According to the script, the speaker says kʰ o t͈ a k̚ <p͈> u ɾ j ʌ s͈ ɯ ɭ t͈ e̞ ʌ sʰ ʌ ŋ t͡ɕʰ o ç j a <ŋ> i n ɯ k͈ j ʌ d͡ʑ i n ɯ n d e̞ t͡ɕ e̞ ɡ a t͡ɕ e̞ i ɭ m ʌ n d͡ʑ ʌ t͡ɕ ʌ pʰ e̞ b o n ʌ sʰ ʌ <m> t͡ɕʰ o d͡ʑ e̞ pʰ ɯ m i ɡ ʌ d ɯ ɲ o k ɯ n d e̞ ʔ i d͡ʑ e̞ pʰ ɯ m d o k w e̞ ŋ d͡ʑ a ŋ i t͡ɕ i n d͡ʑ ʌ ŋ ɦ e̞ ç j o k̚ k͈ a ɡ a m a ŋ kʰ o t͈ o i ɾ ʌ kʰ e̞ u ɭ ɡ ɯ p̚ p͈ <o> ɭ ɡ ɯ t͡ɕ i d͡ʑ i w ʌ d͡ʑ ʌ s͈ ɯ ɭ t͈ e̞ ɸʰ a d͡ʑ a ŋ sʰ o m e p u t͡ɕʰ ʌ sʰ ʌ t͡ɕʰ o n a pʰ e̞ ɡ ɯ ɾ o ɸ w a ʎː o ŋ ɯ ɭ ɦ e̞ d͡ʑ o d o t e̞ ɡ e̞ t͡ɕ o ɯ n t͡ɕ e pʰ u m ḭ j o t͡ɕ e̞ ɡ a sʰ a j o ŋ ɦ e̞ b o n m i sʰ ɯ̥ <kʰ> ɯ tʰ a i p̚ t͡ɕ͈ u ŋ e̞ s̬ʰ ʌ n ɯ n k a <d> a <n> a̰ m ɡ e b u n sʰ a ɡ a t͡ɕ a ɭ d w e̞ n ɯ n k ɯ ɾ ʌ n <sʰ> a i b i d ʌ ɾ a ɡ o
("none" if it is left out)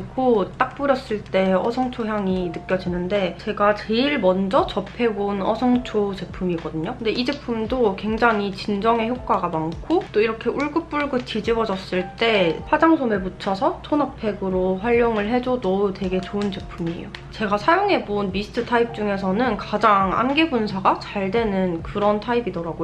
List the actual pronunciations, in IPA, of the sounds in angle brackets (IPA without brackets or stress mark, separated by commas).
p͈, ŋ, ŋ, u, tʰ, d͡ʑ, ŋ, tʰ